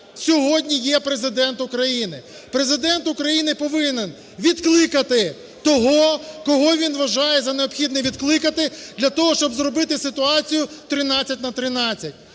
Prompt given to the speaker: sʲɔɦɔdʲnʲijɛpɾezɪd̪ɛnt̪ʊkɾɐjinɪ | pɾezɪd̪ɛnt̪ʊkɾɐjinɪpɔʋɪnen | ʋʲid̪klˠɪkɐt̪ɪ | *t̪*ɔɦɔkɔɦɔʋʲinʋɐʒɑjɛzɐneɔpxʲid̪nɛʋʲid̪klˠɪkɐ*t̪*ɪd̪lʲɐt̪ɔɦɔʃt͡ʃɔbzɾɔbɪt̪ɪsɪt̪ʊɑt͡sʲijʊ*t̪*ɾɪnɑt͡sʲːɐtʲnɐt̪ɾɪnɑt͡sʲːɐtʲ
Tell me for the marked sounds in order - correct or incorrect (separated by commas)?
correct, correct, correct